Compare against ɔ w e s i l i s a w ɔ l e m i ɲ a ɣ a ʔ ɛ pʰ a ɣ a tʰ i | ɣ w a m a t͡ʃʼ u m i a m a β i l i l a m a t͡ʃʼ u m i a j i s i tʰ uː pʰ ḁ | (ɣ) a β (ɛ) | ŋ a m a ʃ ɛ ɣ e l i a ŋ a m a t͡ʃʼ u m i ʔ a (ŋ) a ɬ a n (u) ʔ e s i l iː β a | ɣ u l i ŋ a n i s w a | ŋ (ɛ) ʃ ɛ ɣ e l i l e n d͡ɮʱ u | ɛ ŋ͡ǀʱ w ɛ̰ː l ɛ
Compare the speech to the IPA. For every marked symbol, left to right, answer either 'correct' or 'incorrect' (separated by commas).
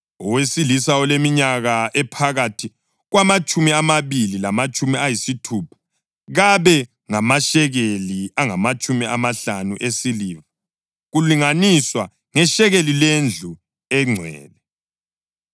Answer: correct, correct, incorrect, correct, correct